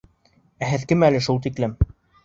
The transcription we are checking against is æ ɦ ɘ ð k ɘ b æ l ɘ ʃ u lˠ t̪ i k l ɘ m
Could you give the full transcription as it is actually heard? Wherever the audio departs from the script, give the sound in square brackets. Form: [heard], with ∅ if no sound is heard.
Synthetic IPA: æ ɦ ɘ ð k ɘ [m] æ l ɘ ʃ u lˠ t̪ i k l ɘ m